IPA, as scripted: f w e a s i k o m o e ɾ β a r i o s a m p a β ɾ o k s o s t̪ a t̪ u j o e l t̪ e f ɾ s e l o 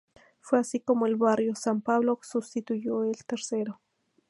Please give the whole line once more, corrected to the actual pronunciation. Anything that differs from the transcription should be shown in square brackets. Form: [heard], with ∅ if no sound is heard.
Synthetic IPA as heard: f w e a s i k o m o e [l] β a r [j] o s a m p a β [l] o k s [u] s t̪ [i] t̪ u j o e l t̪ e [∅] ɾ s e [ɾ] o